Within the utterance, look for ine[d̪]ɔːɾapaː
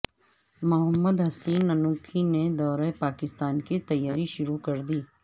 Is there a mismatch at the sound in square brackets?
no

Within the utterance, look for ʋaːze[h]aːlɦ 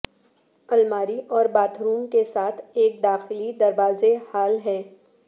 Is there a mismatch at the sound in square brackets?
no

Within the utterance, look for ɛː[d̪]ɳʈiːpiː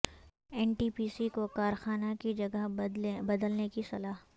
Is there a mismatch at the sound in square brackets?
yes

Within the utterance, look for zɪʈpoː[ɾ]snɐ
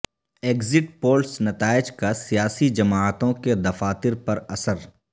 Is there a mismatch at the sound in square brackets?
yes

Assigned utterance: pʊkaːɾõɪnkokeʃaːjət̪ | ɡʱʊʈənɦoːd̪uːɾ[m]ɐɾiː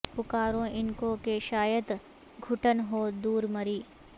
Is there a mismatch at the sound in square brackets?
no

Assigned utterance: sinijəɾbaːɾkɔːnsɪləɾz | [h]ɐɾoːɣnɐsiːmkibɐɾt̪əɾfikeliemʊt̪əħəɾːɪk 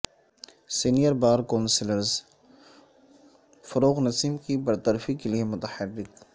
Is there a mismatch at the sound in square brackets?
yes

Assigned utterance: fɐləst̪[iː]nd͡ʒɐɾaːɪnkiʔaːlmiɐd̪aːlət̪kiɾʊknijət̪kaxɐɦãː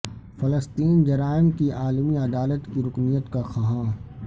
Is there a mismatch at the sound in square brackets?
no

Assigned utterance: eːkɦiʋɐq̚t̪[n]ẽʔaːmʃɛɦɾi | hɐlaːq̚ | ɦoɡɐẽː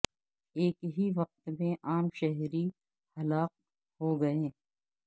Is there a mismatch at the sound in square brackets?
yes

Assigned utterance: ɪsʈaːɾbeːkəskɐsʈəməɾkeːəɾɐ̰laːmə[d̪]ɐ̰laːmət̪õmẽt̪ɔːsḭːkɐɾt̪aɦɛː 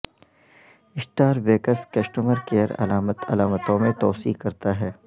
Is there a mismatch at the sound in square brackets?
yes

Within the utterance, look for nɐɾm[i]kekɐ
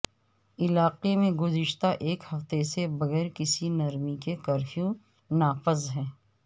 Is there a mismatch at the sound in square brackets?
no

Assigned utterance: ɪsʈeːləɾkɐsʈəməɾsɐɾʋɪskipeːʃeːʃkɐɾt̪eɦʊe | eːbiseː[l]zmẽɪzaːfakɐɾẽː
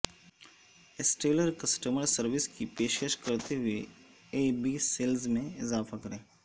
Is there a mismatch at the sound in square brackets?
no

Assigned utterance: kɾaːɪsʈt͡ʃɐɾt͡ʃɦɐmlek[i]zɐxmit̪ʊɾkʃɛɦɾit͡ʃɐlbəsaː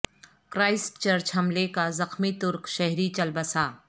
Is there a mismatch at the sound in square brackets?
yes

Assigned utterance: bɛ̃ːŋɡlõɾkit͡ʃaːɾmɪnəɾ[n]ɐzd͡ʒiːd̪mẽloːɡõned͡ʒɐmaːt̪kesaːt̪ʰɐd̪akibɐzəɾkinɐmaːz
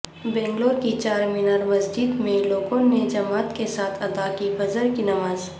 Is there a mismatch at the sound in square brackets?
yes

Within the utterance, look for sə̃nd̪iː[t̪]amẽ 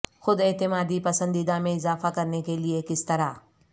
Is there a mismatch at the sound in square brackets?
yes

